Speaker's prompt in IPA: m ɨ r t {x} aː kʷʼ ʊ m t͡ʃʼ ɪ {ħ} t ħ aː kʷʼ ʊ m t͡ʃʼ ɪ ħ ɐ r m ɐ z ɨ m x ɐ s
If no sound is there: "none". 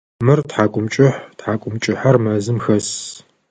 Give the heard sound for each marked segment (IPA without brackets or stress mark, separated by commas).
ħ, ħ